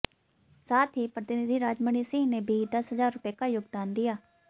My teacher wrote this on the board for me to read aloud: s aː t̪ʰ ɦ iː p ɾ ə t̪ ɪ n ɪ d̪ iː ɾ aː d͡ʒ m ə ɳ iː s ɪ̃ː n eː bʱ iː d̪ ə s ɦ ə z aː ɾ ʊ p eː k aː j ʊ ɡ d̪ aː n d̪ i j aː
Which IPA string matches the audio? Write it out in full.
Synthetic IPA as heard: s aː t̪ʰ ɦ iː p ɾ ə t̪ ɪ n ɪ d̪ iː ɾ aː d͡ʒ m ə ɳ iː s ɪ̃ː n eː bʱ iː d̪ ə s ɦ ə z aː ɾ ʊ p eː k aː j ʊ ɡ d̪ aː n d̪ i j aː